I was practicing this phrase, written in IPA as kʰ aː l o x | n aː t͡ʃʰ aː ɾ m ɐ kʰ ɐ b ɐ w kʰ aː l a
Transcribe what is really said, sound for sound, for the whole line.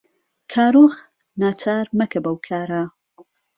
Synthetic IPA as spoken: kʰ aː ɾ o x | n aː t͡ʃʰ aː ɾ m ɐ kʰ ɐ b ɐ w kʰ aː ɾ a